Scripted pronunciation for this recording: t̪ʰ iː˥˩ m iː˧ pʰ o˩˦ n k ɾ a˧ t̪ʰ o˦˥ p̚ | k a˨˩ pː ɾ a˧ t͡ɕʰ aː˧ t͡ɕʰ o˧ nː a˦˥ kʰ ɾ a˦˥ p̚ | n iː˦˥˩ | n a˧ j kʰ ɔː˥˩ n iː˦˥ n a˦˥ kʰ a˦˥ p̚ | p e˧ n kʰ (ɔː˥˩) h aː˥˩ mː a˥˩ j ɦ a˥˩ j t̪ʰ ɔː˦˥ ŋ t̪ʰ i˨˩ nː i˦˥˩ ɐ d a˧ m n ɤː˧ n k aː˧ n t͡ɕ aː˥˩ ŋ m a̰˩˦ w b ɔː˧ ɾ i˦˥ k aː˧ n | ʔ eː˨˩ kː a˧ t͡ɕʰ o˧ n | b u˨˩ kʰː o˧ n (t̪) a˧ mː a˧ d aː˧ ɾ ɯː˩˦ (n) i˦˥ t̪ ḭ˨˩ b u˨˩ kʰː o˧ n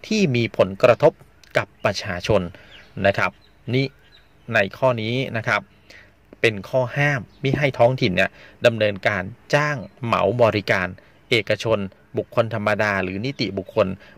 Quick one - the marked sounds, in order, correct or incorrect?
correct, incorrect, correct

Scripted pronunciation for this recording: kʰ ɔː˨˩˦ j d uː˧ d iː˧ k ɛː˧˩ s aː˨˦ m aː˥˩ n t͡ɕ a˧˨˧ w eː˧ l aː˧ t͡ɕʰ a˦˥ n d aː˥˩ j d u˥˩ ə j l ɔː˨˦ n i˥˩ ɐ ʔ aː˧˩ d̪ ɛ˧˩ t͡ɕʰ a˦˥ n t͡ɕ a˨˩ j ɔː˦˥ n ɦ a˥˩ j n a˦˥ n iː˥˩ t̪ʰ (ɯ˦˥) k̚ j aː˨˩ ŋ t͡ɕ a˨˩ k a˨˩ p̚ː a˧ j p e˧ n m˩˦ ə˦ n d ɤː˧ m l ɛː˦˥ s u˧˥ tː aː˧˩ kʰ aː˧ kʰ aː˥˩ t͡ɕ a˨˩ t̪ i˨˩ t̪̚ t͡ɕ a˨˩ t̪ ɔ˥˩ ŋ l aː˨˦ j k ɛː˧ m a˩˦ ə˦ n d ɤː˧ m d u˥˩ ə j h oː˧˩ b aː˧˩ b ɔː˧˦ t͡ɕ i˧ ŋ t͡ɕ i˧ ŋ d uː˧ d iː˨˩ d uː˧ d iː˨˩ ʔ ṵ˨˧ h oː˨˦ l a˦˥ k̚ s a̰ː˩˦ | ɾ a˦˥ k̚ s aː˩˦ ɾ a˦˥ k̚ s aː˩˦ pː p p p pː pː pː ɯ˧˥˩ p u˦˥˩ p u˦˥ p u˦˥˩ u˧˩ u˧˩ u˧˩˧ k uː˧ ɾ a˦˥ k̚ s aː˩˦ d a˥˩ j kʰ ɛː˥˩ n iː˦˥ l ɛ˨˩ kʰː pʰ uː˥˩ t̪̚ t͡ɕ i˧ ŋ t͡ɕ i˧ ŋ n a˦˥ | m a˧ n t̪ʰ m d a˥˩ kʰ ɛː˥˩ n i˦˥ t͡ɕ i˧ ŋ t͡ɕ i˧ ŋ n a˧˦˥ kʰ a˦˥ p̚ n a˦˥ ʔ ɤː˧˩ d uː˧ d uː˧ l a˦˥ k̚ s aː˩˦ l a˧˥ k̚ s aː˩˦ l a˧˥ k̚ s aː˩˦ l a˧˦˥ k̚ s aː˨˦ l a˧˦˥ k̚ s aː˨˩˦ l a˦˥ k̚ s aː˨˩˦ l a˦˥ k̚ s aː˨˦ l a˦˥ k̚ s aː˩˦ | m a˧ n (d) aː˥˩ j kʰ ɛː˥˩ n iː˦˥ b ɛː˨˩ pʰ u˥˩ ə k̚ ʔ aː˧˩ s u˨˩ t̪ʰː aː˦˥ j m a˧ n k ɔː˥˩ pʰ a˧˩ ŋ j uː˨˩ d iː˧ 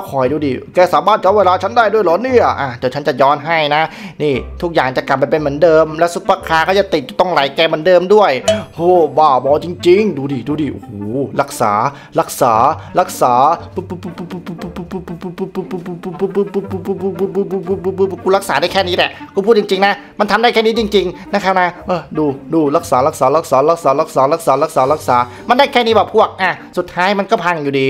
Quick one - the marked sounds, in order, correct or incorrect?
incorrect, correct

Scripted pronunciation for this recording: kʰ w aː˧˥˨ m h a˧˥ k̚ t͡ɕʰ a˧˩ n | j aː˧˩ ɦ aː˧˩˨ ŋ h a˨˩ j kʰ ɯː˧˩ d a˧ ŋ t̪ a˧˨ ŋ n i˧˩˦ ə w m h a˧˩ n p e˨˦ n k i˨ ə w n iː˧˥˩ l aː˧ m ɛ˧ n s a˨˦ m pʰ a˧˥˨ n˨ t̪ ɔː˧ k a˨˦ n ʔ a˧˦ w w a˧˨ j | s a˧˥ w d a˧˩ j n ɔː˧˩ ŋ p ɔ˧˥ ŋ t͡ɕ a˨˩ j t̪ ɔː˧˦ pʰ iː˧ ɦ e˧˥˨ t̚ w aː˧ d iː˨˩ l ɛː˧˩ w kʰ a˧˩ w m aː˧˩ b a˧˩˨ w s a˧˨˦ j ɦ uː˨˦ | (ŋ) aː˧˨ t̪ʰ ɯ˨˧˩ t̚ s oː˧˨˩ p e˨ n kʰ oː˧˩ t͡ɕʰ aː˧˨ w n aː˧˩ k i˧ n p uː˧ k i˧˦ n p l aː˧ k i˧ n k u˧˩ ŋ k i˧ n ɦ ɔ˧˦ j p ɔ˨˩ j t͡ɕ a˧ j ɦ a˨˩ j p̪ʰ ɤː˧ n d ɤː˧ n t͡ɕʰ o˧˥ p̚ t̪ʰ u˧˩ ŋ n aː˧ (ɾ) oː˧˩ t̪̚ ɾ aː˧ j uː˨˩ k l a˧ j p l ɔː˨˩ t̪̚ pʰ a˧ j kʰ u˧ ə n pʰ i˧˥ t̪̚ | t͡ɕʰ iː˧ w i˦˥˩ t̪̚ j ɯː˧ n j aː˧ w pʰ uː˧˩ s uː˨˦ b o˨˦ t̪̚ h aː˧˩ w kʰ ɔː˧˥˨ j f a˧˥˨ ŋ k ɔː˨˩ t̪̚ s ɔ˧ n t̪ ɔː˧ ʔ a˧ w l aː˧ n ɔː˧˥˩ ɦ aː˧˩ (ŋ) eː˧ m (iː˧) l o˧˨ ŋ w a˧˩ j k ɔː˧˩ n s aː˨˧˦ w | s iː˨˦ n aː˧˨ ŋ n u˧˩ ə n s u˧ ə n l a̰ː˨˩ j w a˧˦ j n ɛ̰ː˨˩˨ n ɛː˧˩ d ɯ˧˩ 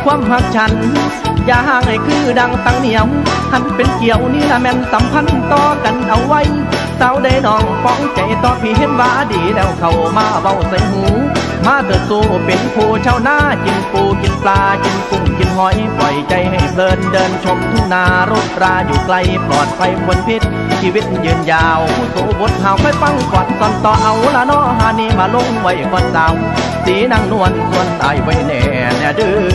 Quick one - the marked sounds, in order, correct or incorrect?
incorrect, correct, incorrect, incorrect

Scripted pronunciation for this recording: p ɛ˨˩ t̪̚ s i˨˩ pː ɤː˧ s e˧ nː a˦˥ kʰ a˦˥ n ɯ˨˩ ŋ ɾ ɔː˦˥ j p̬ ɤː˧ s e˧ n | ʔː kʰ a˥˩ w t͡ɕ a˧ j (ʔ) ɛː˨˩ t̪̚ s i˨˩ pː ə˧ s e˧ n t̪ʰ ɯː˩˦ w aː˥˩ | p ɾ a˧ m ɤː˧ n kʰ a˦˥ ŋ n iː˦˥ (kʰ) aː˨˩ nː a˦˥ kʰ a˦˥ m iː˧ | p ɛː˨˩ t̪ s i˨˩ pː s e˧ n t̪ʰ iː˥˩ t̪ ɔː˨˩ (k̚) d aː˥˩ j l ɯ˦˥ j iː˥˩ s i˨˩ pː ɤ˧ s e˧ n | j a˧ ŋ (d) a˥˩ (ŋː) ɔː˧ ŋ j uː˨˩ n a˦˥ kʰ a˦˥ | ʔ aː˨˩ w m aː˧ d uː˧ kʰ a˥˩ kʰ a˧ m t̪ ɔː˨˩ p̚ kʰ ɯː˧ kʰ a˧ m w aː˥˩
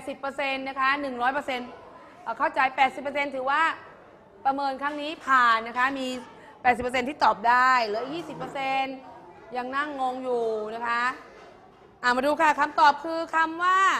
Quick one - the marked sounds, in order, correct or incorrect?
incorrect, incorrect, incorrect, incorrect, correct

